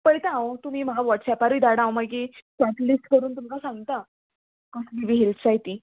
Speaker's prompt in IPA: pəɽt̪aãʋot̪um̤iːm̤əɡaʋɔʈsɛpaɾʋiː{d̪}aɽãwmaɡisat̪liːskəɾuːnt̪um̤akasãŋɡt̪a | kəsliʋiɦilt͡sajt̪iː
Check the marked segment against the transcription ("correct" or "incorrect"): correct